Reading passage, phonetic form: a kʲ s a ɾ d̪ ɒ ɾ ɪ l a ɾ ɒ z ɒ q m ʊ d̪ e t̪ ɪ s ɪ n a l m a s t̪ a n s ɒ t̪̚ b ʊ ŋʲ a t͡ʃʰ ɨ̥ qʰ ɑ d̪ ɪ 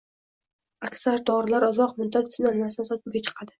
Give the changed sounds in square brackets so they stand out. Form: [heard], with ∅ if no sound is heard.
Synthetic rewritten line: a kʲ s a ɾ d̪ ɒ ɾ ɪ l a ɾ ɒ z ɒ q m ʊ d̪ [a] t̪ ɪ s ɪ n a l m a s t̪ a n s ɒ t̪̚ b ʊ [ɡʲ] a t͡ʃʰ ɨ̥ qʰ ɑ d̪ ɪ